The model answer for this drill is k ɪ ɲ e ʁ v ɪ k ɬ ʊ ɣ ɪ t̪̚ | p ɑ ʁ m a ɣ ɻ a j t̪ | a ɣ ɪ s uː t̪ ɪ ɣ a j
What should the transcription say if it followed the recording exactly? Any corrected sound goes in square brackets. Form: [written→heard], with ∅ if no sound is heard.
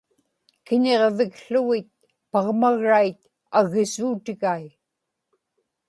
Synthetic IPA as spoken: k ɪ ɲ e ʁ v ɪ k ɬ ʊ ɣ ɪ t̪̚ | p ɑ ʁ m a ɣ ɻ a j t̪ | a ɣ ɪ s uː t̪ ɪ ɣ a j